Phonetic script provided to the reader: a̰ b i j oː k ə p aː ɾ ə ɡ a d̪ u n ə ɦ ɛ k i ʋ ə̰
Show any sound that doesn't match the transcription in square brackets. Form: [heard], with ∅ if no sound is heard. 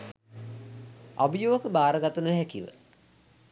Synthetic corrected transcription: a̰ b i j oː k ə [b] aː ɾ ə ɡ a [t̪] u n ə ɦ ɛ k i ʋ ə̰